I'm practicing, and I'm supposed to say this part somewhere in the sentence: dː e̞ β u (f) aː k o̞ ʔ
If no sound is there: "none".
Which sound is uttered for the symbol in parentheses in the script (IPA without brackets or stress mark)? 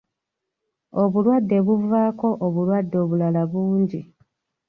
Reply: v